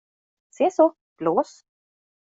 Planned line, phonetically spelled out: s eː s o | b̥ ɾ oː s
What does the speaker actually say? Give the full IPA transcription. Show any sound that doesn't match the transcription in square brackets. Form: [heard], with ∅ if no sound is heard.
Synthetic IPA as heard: s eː s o | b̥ [l] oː s

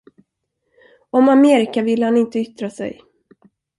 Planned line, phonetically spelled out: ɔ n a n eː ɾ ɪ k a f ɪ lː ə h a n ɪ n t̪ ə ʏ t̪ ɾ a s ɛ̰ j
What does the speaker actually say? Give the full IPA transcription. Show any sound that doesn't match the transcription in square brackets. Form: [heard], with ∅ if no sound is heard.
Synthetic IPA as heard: ɔ [m] a [m] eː ɾ ɪ k a [v] ɪ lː ə h a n ɪ n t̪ ə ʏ t̪ ɾ a s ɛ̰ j

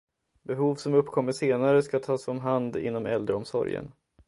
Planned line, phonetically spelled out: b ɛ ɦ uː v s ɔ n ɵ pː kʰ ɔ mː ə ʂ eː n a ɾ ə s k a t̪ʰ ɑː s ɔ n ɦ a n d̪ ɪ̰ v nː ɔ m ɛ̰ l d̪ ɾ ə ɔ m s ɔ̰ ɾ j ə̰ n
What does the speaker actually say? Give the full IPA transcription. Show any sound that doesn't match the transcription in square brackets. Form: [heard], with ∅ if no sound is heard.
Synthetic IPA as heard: b ɛ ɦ uː v s ɔ [m] ɵ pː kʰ ɔ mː ə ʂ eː n a ɾ ə s k a t̪ʰ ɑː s ɔ [m] ɦ a n d̪ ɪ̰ [∅] nː ɔ m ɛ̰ l d̪ ɾ ə ɔ m s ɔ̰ ɾ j ə̰ n

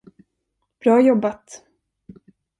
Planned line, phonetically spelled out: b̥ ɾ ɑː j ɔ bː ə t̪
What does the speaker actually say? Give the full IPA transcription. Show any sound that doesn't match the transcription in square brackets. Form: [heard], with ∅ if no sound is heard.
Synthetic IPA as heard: b̥ ɾ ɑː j ɔ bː [a] t̪

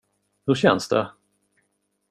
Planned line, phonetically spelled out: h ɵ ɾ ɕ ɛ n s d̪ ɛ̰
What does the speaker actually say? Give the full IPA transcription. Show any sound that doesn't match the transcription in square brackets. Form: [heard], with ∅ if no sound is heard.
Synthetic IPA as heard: h ɵ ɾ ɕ ɛ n s d̪ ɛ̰

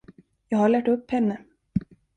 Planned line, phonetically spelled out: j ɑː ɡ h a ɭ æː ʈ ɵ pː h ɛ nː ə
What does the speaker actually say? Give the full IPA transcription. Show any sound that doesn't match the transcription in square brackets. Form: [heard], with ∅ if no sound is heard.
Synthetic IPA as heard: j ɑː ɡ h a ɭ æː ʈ ɵ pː h ɛ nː ə

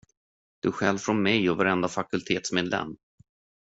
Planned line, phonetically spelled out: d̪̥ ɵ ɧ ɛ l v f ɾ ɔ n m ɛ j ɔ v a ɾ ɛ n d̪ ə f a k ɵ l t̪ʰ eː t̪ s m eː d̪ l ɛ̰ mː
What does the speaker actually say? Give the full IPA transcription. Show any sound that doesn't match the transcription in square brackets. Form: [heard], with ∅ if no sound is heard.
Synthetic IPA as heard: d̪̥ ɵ ɧ ɛ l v f ɾ ɔ n m ɛ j ɔ v a ɾ ɛ n d̪ [a] f a k ɵ l t̪ʰ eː t̪ s m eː d̪ l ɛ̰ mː

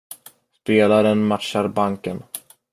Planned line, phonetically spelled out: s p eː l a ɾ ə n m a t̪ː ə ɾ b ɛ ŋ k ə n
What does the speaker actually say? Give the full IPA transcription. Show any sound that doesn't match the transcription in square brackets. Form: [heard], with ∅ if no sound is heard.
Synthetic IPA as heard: s p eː l a ɾ ə n m a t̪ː [a] ɾ b [a] ŋ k ə n

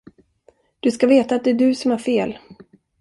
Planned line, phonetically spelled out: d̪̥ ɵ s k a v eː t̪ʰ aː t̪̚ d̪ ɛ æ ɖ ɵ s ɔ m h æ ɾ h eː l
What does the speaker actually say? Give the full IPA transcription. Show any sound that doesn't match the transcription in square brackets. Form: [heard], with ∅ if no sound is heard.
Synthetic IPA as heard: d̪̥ ɵ s k a v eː [t̪] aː t̪̚ d̪ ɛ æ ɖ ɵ s ɔ m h æ ɾ [f] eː l

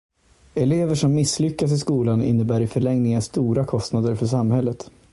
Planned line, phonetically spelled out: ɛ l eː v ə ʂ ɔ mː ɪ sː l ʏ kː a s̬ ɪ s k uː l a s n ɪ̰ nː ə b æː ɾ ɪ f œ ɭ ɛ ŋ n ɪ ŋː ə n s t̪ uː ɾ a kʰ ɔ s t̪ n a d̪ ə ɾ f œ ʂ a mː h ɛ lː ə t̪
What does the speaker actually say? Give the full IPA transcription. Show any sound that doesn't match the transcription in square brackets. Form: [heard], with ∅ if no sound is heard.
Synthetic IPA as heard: ɛ l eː v ə ʂ ɔ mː ɪ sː l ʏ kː a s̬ ɪ s k uː l a [∅] n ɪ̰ nː ə b æː ɾ ɪ f œ ɭ ɛ ŋ n ɪ [ŋ] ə n s t̪ uː ɾ a kʰ ɔ s t̪ n a d̪ ə ɾ f œ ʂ a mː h ɛ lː ə t̪

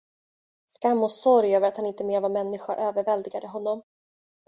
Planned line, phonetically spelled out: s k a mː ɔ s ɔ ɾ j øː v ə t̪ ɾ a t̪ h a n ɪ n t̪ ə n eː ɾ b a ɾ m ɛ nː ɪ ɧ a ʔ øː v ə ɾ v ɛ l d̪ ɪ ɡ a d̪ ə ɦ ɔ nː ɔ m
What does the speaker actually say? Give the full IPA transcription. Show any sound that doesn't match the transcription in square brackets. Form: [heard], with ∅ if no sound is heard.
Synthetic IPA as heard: s k a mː ɔ s ɔ ɾ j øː v ə [∅] ɾ a t̪ h a n ɪ n t̪ ə [m] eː ɾ [v] a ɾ m ɛ nː ɪ ɧ a ʔ øː v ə ɾ v ɛ l d̪ ɪ ɡ a d̪ ə ɦ ɔ nː ɔ m

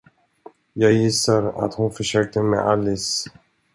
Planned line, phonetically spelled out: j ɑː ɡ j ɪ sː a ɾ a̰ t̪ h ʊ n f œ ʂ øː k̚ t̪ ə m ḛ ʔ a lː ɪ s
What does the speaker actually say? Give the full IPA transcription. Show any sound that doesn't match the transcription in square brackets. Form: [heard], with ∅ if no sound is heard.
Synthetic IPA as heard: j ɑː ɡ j ɪ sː a ɾ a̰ t̪ h ʊ n f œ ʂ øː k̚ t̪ ə m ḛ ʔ a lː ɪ s

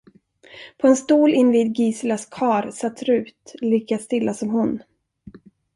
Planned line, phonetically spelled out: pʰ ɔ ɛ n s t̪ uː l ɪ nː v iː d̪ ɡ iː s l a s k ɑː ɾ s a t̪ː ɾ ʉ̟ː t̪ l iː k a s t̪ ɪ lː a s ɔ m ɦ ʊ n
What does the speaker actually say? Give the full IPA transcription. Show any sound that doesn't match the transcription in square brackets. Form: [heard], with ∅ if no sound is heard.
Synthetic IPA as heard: pʰ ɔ ɛ n s t̪ uː l ɪ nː v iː d̪ ɡ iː s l a s [kʰ] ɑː ɾ s a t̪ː ɾ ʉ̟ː t̪ l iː k a s t̪ ɪ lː a s ɔ m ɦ ʊ n

